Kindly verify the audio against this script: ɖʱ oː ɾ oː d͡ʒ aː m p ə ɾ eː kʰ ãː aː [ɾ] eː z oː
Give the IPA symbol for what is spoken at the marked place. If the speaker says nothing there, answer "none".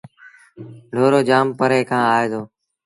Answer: none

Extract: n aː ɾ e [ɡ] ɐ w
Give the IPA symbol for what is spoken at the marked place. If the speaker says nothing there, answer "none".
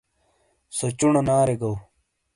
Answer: ɡ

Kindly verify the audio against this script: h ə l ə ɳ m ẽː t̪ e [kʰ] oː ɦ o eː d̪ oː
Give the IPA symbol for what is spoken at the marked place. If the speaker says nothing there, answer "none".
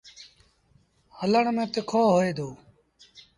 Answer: kʰ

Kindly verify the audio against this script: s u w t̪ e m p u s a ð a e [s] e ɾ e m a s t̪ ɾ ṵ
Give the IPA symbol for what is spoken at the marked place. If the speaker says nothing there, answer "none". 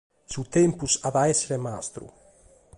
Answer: s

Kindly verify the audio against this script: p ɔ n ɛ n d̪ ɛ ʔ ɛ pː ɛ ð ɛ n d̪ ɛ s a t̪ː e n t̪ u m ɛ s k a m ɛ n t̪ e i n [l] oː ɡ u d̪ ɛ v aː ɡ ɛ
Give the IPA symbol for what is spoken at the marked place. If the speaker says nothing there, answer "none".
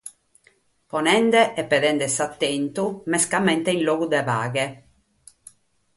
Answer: l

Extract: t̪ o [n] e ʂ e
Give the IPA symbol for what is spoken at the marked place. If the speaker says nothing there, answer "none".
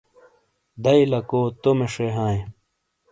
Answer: m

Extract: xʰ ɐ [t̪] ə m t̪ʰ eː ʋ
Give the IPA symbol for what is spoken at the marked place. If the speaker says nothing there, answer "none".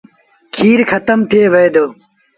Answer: t̪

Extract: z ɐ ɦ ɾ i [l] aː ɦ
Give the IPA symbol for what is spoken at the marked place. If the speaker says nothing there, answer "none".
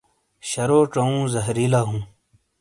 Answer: l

